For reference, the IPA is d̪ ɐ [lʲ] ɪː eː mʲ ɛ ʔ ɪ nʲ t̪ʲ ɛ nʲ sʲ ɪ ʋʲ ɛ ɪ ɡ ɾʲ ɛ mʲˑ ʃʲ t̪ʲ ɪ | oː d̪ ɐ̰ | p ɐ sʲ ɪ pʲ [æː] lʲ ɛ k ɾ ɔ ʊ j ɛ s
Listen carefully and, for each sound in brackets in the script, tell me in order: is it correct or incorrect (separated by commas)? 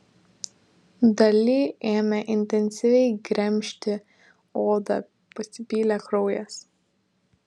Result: correct, incorrect